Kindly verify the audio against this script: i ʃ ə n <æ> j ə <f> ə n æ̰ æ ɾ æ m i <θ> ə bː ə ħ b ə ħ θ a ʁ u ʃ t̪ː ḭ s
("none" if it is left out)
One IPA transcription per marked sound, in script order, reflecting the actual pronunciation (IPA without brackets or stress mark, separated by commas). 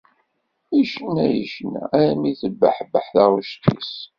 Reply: æ, ʃ, θ